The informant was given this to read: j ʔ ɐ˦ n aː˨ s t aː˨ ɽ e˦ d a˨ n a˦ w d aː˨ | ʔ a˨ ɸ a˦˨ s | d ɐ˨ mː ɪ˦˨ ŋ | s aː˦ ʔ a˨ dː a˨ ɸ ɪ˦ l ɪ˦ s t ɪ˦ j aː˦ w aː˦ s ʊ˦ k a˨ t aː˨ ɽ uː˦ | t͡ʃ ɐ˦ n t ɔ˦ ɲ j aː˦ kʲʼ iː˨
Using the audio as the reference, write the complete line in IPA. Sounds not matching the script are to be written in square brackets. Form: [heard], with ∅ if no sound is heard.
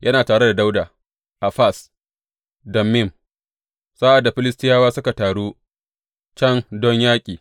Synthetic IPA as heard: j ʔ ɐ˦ n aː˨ [∅] t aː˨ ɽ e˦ d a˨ [d] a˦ w d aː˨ | ʔ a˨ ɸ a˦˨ s | d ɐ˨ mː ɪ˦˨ [m] | s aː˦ ʔ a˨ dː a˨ ɸ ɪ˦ l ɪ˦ s t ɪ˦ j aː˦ w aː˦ s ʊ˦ k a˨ t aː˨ ɽ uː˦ | t͡ʃ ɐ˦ n [d] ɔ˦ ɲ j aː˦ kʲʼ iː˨